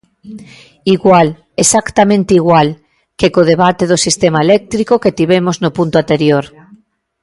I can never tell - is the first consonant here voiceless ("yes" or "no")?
no